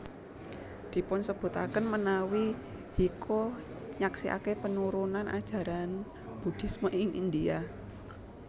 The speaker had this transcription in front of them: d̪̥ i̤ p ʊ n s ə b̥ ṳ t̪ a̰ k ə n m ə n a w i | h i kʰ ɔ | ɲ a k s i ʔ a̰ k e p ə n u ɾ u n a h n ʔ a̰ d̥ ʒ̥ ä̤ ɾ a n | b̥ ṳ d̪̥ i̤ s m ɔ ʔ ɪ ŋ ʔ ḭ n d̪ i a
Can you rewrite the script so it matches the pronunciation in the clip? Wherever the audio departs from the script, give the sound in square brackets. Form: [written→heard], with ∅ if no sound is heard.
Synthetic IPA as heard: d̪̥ i̤ p ʊ n s ə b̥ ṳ t̪ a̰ k ə n m ə n a w i | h i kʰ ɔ | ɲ a k s i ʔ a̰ k e p ə n u ɾ u n a [h→∅] n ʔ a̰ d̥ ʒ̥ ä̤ ɾ a n | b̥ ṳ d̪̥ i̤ s m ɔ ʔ ɪ ŋ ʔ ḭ n d̪ i a